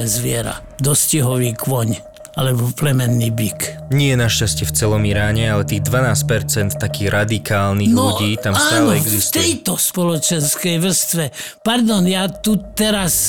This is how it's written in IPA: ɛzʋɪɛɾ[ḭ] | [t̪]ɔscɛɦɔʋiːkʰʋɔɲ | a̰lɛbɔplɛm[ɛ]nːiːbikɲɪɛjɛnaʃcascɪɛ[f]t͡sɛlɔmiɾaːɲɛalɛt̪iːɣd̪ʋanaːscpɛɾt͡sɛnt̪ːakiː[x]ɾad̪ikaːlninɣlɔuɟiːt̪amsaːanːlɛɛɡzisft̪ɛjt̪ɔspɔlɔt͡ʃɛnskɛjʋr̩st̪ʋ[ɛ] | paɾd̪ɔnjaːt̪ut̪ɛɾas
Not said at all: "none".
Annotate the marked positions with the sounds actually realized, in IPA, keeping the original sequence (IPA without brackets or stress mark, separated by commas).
a̰, d̪, ɛ, f, ɣ, ɛ